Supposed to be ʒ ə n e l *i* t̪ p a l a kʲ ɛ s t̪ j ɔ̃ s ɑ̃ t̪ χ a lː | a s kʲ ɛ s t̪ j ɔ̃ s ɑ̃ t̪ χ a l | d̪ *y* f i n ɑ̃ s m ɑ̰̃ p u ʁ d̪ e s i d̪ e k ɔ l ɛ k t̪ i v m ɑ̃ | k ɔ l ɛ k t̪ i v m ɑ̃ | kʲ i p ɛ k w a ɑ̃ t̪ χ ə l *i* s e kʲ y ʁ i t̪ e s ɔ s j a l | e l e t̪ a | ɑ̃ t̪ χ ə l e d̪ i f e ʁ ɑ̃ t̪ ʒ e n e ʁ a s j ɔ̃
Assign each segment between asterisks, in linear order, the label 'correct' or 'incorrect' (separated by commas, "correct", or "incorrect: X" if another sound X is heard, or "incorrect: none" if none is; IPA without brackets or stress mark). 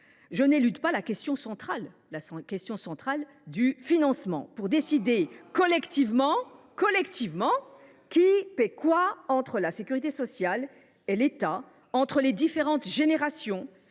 incorrect: y, correct, incorrect: a